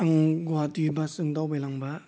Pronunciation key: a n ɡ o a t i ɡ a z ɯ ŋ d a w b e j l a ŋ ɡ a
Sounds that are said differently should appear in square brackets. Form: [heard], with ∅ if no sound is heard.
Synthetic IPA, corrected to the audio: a [ŋ] ɡ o a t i [b] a [s] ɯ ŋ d a w b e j l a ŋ [b] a